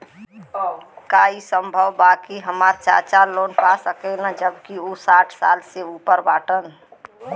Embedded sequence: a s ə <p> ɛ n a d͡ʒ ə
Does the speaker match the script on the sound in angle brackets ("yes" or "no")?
no